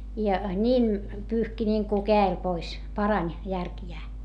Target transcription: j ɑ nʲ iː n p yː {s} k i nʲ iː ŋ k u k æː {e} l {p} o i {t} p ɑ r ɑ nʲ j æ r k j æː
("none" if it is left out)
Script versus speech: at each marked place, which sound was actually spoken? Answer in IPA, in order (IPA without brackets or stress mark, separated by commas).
h, e, p, s